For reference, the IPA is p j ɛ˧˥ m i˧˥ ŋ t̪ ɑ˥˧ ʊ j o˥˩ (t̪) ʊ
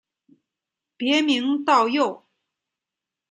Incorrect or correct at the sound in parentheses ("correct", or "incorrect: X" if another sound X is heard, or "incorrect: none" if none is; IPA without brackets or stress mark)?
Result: incorrect: none